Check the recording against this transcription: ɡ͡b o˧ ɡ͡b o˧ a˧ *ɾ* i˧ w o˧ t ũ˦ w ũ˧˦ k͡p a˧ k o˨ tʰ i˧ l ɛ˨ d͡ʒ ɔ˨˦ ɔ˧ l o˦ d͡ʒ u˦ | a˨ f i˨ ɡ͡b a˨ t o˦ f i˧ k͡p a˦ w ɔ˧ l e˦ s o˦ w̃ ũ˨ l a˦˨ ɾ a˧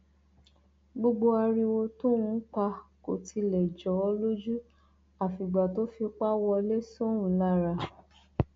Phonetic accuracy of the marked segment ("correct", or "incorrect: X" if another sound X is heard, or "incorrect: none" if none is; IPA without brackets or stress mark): correct